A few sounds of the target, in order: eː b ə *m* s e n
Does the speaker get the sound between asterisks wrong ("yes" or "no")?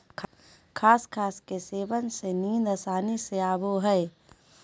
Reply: yes